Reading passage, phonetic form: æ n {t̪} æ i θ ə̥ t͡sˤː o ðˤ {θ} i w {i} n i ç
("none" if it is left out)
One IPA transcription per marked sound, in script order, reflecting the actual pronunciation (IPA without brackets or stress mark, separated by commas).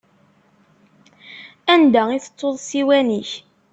d̪, s, æ